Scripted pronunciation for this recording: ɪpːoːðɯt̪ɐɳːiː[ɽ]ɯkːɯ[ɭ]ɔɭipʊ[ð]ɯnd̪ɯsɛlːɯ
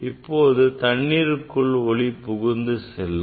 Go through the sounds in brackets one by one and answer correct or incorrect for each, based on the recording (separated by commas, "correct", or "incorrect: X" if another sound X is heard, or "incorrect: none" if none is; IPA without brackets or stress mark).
incorrect: ɾ, correct, incorrect: ɣ